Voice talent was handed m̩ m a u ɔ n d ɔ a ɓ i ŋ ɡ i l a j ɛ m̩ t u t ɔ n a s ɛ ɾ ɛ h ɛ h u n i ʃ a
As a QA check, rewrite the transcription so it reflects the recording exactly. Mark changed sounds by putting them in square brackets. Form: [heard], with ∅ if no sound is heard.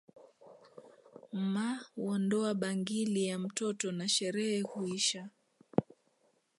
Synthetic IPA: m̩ m a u ɔ n d ɔ a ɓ [a] ŋ ɡ i l [i] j [a] m̩ t [ɔ] t ɔ n a [ʃ] ɛ ɾ ɛ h ɛ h u [∅] i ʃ a